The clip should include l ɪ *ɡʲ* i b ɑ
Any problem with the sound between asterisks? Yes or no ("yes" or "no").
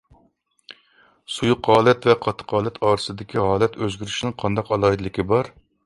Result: yes